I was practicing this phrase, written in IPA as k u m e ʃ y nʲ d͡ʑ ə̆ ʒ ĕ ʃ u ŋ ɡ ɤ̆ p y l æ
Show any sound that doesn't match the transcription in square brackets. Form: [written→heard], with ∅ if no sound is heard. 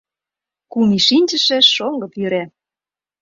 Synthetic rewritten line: k u m [e→i] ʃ [y→i] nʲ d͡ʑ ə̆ [ʒ→ʃ] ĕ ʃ [u→o] ŋ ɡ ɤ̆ p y [l→ɾ] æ